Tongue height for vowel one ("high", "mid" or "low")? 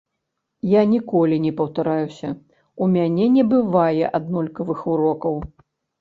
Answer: low